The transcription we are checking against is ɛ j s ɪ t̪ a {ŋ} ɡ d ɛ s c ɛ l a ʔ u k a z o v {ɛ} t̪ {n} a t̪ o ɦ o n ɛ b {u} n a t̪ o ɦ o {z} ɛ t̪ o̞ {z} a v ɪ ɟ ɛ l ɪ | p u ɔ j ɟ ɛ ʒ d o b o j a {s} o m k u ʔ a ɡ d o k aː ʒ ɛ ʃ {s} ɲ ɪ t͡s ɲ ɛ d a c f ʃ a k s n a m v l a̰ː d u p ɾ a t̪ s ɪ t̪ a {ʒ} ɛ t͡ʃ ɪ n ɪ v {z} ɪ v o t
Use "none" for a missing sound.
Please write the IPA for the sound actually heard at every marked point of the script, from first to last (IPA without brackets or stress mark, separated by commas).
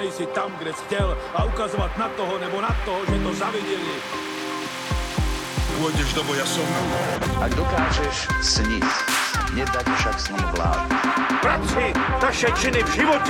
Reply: m, a, n, o, ʒ, z, s, s, ʃ, ʒ